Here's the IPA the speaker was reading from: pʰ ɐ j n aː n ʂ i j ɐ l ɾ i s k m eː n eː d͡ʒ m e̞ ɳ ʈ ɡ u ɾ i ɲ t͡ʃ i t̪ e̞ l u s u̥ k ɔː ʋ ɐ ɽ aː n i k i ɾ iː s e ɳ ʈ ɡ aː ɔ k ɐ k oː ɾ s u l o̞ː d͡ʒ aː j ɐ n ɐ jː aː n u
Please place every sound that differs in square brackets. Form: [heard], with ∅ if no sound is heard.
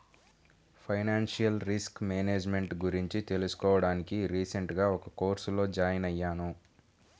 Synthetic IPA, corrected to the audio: pʰ ɐ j n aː n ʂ i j ɐ l ɾ i s k m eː n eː d͡ʒ m e̞ ɳ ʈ ɡ u ɾ i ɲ t͡ʃ i t̪ e̞ l u s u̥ k ɔː ʋ ɐ ɽ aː n i k i ɾ iː s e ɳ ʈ ɡ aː ɔ k ɐ k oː ɾ s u l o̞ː d͡ʒ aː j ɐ n ɐ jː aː n u